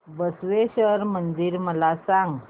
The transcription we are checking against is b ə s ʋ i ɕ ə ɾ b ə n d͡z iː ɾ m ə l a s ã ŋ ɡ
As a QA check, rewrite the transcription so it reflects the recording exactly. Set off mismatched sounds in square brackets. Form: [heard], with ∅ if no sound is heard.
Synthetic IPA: b ə s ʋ [e] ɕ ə ɾ [m] ə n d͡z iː ɾ m ə l a s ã ŋ ɡ